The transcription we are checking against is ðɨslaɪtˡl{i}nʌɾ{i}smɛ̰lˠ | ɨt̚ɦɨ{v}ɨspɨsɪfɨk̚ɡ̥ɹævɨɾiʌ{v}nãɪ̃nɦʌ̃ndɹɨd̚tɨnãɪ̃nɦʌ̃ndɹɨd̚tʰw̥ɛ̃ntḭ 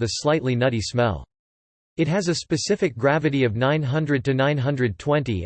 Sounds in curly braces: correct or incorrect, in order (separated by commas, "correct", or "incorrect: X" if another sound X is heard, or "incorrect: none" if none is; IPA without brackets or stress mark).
correct, correct, incorrect: z, correct